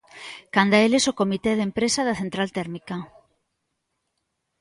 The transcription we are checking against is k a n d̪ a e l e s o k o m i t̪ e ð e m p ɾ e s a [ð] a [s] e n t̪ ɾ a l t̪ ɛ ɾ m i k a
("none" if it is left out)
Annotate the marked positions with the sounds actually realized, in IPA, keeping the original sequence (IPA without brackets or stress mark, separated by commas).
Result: ð, θ